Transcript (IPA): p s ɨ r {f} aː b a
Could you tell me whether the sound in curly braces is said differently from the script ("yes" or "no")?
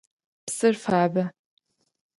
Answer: no